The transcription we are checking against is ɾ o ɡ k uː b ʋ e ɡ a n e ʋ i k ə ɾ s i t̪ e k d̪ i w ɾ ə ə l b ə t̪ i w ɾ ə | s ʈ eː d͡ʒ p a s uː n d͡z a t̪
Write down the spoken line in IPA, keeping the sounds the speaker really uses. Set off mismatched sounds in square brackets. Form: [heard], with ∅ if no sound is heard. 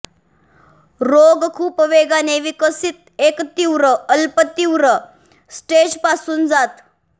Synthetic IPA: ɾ o ɡ [kʰ] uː [p] ʋ e ɡ a n e ʋ i k ə [∅] s i t̪ e k [t̪] i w ɾ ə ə l [p] ə t̪ i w ɾ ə | s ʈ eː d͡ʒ p a s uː n d͡z a t̪